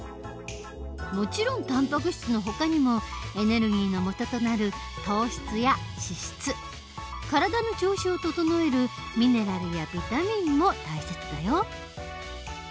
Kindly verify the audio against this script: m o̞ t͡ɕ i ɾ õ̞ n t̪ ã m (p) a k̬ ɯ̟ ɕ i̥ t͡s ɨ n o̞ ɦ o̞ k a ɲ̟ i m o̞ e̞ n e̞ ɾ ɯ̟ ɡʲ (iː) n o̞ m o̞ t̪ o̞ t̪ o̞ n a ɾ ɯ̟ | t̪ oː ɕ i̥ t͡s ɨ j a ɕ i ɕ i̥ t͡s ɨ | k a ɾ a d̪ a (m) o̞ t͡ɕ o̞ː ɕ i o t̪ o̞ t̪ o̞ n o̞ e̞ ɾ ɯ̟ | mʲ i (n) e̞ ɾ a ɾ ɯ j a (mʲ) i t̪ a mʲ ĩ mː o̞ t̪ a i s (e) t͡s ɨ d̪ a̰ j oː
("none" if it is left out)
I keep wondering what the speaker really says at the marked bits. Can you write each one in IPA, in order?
p, iː, n, n, bʲ, e

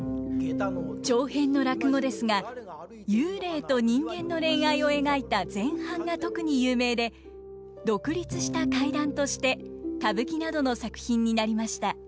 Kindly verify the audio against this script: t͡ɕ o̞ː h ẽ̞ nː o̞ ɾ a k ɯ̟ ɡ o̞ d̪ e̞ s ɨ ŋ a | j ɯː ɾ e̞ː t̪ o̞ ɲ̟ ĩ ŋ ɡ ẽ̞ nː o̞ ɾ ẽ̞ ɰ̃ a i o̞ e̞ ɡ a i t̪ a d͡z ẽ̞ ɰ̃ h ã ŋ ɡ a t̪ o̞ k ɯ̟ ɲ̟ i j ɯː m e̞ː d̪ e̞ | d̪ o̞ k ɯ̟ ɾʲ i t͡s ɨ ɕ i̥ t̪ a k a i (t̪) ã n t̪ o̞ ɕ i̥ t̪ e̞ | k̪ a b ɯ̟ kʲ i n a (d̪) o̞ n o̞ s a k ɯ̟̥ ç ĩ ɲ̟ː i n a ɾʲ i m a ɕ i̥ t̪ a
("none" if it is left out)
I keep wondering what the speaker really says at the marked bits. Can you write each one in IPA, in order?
d̪, d̪

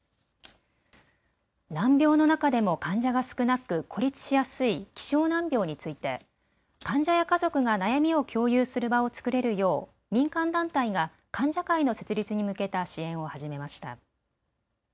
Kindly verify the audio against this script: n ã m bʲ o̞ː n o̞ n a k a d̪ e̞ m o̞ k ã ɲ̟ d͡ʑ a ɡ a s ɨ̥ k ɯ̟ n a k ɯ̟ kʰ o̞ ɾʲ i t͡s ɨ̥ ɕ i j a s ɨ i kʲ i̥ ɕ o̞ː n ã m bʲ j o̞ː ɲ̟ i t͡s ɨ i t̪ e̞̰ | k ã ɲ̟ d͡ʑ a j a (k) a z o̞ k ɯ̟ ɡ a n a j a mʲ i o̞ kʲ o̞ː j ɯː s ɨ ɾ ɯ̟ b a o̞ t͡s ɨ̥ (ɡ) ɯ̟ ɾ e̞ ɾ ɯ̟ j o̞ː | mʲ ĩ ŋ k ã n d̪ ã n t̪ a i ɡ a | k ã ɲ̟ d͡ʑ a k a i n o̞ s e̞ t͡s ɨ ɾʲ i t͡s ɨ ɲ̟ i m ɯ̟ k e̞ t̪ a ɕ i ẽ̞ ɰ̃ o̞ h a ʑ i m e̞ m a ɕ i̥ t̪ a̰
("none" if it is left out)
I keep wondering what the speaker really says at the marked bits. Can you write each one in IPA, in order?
k, k

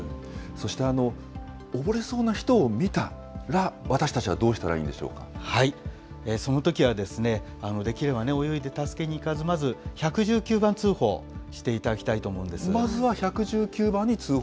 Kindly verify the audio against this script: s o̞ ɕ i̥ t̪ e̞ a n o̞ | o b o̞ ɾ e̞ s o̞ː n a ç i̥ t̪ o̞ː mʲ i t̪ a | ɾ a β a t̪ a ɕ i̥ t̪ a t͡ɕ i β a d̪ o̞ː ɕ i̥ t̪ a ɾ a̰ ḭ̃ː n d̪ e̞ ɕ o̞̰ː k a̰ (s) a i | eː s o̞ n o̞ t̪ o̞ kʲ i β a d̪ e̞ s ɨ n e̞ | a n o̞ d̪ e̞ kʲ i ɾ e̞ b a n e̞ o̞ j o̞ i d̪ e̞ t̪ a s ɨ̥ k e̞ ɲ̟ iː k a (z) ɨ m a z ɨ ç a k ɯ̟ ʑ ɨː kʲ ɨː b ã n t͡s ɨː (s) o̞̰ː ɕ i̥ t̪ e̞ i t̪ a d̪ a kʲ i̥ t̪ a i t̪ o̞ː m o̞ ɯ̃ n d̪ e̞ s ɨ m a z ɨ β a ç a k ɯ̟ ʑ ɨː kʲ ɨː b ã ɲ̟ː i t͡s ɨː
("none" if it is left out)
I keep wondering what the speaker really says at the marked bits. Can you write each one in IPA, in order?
h, z, h

